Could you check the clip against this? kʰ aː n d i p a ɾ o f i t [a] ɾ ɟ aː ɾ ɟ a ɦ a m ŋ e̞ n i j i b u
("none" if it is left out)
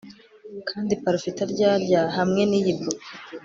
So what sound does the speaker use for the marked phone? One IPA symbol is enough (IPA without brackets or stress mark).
a